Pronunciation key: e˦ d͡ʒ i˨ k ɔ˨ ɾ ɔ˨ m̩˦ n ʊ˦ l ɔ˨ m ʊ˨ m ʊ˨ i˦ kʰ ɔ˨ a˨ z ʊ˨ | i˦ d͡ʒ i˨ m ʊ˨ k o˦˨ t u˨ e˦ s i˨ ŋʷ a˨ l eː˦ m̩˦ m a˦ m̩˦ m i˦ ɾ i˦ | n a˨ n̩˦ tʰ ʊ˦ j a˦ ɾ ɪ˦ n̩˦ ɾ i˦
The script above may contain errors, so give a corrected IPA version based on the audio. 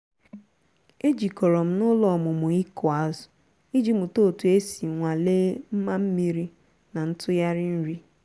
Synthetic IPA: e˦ d͡ʒ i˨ k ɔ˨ ɾ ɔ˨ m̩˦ n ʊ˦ l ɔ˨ m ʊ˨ m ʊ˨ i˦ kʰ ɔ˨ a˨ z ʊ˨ | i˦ d͡ʒ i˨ m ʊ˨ t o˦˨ t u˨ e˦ s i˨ ŋʷ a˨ l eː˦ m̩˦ m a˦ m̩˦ m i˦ ɾ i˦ | n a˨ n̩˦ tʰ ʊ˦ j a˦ ɾ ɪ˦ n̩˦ ɾ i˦